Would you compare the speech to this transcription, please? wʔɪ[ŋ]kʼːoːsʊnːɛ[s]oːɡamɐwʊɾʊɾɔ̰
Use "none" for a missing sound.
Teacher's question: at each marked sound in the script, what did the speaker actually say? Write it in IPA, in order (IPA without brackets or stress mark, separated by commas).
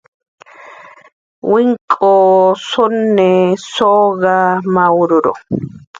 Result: ŋ, s